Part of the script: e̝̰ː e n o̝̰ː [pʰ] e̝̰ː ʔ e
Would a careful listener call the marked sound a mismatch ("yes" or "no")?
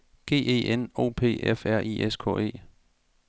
no